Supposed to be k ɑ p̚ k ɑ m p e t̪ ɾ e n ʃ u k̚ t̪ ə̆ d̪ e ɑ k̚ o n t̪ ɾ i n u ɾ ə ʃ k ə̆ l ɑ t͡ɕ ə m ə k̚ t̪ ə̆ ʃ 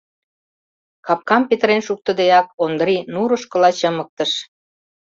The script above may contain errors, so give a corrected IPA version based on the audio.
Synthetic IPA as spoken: k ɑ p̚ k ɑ m p e t̪ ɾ e n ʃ u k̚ t̪ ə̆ d̪ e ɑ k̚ o n d̪ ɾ i n u ɾ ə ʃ k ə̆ l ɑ t͡ɕ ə m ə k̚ t̪ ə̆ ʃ